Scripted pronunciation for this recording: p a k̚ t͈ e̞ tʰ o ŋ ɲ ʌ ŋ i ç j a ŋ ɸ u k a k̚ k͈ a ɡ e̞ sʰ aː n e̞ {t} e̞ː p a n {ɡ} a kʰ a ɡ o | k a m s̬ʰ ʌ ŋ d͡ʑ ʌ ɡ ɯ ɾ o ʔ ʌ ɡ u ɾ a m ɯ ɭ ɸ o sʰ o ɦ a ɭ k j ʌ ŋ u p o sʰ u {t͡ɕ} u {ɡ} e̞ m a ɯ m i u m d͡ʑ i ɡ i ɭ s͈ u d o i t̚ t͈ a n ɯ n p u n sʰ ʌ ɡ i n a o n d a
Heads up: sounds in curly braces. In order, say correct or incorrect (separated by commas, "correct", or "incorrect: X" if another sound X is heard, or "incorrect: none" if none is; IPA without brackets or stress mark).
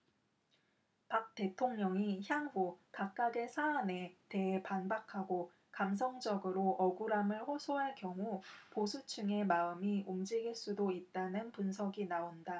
correct, incorrect: b, incorrect: t͡ɕʰ, incorrect: ŋ